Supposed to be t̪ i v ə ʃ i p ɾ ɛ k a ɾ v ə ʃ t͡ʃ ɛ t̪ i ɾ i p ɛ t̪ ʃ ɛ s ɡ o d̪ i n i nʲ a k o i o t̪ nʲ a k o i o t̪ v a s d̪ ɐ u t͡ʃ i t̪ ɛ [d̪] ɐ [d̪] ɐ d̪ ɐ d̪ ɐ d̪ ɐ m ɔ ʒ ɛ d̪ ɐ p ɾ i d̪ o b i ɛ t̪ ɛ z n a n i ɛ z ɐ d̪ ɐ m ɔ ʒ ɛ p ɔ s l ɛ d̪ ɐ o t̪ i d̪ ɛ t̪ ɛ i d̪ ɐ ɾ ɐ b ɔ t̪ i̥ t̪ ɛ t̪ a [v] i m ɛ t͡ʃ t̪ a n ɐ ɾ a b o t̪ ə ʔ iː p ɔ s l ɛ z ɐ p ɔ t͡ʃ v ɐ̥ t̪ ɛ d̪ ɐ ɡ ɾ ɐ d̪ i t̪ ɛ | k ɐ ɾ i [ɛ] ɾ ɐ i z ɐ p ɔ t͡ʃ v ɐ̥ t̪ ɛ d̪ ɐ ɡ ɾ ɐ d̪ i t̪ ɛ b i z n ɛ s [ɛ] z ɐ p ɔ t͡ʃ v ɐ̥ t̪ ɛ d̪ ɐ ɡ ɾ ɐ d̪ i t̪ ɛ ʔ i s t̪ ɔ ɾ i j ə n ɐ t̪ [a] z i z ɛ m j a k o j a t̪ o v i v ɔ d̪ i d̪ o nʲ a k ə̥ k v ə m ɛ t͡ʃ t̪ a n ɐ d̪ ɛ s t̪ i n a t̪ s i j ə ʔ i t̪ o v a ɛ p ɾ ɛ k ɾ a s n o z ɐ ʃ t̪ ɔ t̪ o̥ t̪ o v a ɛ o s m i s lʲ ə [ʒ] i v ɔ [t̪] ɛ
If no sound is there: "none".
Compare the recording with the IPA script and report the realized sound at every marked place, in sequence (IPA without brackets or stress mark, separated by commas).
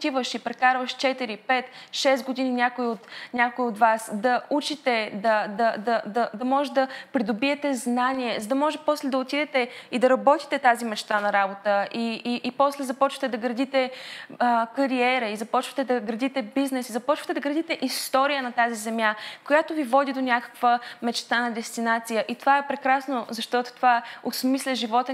d̪, d̪, z, ɛ, i, a, ʒ, t̪